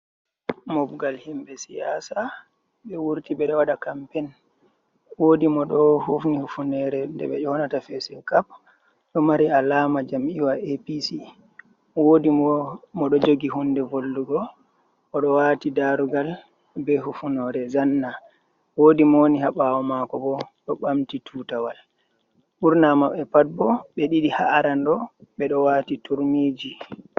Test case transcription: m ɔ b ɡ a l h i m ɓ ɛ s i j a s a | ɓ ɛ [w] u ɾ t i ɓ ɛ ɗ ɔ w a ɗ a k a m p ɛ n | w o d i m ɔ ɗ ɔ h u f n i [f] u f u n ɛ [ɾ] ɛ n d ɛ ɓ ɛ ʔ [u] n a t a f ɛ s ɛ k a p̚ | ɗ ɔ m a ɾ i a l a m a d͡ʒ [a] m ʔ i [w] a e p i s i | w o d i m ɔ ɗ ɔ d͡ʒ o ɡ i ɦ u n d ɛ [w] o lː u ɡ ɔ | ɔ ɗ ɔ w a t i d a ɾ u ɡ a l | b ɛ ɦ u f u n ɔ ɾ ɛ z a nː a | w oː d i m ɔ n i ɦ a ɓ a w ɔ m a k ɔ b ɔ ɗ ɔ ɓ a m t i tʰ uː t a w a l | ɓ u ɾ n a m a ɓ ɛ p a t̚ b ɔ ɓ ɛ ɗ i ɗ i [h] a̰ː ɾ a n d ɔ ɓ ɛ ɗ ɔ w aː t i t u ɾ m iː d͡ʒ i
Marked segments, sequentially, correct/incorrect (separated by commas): correct, incorrect, correct, incorrect, correct, correct, incorrect, correct